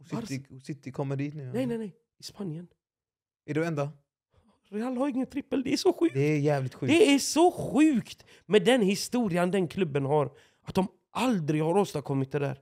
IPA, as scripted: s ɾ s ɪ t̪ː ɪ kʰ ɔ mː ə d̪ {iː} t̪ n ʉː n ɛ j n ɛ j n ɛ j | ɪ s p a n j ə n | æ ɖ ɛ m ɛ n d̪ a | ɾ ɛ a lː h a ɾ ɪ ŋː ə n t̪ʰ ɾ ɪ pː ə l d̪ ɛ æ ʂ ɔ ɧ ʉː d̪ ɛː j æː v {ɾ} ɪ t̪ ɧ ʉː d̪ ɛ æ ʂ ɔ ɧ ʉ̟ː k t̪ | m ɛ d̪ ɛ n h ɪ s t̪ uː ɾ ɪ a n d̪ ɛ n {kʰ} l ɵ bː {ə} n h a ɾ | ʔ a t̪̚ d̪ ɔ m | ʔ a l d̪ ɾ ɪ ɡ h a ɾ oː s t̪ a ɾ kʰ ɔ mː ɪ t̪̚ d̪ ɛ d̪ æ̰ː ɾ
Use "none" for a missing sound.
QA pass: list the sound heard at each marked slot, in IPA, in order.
iː, l, kʰ, ə

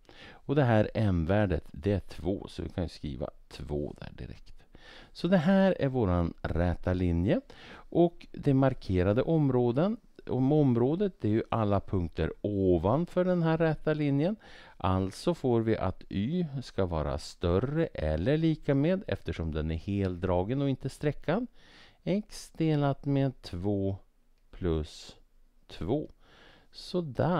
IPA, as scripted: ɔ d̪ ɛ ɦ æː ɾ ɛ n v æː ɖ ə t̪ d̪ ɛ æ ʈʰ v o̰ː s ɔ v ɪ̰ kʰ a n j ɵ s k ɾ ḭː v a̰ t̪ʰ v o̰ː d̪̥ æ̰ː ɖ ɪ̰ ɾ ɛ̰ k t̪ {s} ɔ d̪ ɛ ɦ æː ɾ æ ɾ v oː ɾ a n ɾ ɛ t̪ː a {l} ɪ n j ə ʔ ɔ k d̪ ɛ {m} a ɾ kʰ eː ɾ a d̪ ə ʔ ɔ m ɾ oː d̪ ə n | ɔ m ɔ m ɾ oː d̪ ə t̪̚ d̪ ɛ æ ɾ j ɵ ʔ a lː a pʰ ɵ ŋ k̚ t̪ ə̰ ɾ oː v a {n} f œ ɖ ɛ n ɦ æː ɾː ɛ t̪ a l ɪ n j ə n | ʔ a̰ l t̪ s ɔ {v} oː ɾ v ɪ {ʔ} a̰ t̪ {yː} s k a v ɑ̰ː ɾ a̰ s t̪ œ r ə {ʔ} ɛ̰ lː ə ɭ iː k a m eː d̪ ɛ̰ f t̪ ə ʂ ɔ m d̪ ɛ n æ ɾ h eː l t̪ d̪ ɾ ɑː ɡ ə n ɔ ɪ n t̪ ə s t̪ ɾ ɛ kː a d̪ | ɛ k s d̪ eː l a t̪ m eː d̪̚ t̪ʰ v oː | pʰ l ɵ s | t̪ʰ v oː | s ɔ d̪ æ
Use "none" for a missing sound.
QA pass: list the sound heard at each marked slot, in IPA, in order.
s, l, m, n, f, ʔ, yː, ʔ

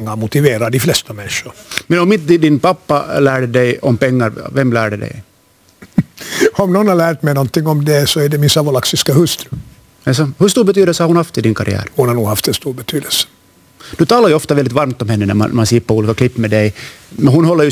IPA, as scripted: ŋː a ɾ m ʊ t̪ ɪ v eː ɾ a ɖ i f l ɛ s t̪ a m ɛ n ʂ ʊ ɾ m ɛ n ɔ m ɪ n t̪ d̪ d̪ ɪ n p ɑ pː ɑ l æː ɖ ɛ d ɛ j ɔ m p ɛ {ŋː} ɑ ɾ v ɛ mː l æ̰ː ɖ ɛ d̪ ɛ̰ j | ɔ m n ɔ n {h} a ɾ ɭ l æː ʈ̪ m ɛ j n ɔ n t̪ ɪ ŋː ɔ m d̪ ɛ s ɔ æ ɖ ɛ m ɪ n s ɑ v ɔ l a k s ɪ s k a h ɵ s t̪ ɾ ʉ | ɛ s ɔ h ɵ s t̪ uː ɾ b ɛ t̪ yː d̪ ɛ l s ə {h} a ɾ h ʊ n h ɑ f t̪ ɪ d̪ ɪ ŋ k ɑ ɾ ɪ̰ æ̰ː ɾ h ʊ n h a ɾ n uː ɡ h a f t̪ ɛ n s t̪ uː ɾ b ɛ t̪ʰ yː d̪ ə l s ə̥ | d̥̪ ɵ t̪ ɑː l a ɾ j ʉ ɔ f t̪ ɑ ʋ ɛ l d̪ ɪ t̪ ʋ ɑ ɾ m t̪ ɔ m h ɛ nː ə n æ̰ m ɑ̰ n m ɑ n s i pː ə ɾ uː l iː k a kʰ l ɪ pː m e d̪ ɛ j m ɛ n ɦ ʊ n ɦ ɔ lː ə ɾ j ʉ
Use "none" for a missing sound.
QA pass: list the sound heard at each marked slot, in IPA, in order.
ŋː, h, h

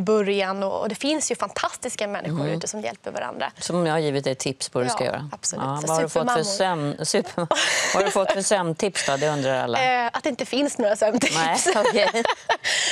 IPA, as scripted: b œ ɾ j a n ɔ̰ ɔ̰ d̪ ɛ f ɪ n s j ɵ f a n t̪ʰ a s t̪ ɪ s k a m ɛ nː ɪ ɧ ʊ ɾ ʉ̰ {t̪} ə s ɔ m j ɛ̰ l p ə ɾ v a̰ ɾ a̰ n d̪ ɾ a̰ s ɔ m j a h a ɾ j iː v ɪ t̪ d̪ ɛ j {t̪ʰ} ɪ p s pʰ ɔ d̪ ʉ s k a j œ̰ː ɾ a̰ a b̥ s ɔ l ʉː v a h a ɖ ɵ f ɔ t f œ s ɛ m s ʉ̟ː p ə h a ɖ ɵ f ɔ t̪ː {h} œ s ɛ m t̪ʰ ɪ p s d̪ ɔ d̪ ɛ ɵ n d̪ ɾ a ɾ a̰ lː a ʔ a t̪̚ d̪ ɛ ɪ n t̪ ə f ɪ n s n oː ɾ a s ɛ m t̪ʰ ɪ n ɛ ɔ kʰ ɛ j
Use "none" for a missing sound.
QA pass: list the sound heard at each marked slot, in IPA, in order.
t̪, t̪ʰ, f

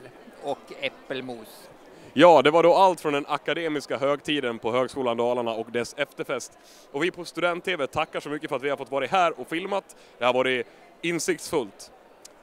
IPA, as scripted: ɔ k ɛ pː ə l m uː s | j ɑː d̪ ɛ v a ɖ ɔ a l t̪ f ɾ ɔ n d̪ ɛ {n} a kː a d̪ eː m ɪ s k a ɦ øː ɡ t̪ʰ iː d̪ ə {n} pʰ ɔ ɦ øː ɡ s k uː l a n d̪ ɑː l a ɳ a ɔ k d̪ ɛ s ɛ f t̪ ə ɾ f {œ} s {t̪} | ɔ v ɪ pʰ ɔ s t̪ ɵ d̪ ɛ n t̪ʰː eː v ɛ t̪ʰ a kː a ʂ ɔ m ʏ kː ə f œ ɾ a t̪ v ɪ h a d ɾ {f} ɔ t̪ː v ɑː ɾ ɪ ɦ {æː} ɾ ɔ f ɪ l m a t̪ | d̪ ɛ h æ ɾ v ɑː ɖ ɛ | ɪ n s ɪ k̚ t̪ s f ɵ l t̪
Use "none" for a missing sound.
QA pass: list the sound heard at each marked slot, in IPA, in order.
n, n, ɛ, t̪, f, æː

